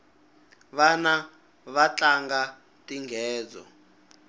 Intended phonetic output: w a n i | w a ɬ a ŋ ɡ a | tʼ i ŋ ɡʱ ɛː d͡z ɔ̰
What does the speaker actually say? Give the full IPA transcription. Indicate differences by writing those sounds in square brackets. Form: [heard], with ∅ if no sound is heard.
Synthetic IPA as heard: [β] a n [a] | [β] a [t͡ɬ] a ŋ ɡ a | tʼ i ŋ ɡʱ ɛː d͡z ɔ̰